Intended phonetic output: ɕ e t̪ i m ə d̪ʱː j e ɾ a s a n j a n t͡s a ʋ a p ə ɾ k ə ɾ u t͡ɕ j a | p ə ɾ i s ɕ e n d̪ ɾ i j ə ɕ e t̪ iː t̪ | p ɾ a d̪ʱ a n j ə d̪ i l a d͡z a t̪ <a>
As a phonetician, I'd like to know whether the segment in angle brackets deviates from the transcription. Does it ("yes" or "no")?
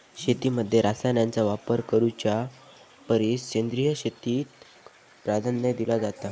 no